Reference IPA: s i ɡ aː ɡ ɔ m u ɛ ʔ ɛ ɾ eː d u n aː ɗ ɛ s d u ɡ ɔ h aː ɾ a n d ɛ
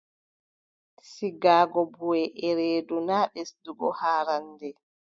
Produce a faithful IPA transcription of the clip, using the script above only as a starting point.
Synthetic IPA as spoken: s i ɡ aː ɡ ɔ b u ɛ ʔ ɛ ɾ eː d u n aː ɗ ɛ s d u ɡ ɔ h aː ɾ a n d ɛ